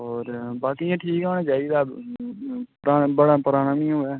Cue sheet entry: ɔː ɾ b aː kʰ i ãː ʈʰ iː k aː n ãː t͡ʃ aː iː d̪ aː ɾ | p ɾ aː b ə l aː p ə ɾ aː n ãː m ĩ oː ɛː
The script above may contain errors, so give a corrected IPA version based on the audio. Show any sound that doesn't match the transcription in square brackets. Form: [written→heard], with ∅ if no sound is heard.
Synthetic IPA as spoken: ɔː ɾ b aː [kʰ→k] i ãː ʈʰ iː k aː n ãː t͡ʃ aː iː d̪ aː [ɾ→∅] | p ɾ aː b ə [l→ɽ] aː p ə ɾ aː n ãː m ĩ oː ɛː